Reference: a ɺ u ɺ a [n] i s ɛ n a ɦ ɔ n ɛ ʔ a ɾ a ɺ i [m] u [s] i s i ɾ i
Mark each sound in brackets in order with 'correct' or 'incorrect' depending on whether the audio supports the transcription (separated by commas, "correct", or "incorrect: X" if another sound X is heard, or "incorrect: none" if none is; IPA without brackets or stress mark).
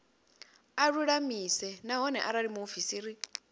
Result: incorrect: m, correct, incorrect: f